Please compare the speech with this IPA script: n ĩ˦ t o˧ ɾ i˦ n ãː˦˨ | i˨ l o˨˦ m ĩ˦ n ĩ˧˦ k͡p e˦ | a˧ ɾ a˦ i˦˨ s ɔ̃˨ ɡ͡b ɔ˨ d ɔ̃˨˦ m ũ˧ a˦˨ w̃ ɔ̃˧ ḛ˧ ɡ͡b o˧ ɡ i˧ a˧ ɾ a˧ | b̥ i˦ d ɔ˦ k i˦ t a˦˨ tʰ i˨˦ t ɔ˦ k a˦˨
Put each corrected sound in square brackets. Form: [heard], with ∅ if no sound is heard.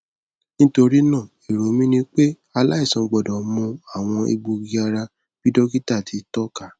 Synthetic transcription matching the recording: n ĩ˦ t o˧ ɾ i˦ n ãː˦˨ | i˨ [ɾ] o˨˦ m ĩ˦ n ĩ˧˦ k͡p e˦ | a˧ [l] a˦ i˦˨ s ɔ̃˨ ɡ͡b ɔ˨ d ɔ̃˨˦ m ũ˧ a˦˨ w̃ ɔ̃˧ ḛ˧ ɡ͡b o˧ ɡ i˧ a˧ ɾ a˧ | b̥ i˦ d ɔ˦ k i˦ t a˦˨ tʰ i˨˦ t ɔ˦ k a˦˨